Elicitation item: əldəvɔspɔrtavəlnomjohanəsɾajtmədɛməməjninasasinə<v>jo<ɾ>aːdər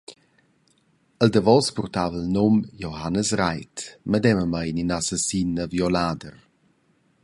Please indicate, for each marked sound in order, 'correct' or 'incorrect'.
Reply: correct, incorrect

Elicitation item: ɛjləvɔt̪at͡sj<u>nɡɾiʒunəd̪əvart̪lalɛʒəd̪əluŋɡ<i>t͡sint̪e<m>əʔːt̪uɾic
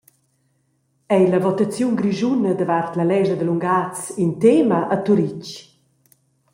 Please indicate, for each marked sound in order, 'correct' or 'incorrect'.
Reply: correct, incorrect, correct

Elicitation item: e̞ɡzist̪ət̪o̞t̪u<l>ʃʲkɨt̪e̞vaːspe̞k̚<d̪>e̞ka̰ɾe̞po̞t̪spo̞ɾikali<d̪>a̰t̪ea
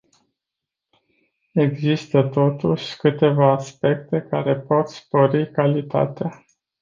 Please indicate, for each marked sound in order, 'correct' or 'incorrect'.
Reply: incorrect, incorrect, incorrect

